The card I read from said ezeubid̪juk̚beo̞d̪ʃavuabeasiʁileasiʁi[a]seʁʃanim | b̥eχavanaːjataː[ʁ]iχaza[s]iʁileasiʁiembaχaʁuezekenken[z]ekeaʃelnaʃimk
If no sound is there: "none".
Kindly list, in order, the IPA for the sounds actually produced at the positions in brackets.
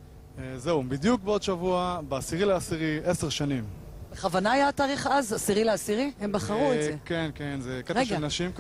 e, ʁ, s, z

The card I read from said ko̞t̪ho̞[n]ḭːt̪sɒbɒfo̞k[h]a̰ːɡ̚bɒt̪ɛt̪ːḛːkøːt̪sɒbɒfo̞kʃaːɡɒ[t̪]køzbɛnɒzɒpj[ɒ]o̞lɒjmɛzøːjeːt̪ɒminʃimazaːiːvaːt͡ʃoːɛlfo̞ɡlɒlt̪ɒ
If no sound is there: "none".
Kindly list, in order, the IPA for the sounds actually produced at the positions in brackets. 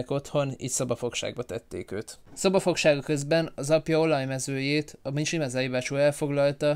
n, ʃ, none, ɒ

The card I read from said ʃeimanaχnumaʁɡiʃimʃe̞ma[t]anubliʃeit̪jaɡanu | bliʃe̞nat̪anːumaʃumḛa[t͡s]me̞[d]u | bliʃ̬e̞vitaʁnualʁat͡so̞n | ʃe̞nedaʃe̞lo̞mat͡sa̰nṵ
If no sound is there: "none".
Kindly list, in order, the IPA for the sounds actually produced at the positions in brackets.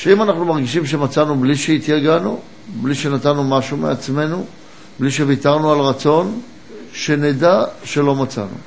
t͡s, t͡s, n

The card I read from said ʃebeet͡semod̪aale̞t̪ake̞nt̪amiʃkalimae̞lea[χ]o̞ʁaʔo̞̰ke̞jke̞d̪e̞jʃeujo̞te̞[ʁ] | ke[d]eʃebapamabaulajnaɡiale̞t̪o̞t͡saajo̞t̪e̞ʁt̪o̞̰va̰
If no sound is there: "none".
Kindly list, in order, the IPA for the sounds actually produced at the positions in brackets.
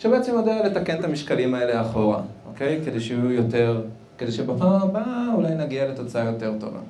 χ, ʁ, d

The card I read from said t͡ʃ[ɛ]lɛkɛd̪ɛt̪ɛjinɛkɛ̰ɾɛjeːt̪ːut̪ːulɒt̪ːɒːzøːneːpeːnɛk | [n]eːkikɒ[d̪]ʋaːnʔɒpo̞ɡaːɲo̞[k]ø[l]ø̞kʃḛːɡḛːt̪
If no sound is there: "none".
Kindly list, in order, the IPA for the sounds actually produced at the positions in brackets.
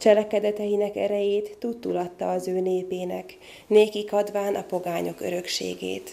ɛ, n, d̪, k, ɾ

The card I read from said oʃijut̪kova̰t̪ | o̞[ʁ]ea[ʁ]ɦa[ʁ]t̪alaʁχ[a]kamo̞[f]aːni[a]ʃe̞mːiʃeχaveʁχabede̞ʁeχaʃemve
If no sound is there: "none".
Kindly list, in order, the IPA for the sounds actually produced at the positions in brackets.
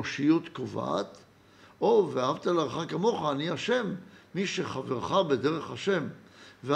v, none, v, a, χ, a

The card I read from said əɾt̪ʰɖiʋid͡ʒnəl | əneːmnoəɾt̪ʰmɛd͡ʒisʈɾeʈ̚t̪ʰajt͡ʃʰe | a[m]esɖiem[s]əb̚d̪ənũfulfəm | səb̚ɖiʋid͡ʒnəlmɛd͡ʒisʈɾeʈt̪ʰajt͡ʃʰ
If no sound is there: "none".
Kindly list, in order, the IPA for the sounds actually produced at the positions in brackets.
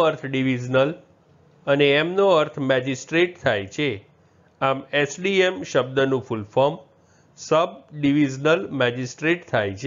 m, ʃ

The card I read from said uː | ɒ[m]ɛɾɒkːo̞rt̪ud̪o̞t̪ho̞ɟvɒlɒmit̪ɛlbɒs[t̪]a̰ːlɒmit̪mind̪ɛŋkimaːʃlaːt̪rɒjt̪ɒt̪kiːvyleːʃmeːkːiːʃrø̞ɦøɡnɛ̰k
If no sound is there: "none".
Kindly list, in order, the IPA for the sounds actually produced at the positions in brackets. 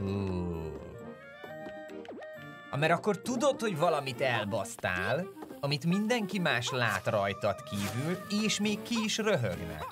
m, t̪

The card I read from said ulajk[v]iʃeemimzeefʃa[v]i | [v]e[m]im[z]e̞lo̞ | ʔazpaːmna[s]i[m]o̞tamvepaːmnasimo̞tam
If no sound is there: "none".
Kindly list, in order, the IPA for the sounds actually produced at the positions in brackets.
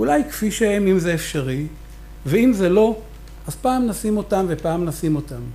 f, ʁ, v, none, z, s, m

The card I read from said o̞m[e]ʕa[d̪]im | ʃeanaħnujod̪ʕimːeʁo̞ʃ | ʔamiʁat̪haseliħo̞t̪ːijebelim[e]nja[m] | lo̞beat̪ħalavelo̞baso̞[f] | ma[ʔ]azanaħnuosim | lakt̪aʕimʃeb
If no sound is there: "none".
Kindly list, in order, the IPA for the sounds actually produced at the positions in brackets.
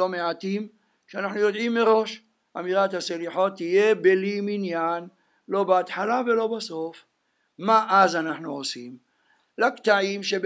e, t̪, i, n, f, ʔ

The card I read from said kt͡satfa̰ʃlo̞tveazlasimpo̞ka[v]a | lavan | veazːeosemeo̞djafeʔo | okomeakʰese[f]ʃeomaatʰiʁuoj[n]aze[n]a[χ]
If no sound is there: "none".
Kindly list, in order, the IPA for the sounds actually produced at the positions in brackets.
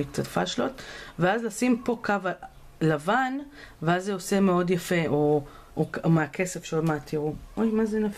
v, f, m, n, f

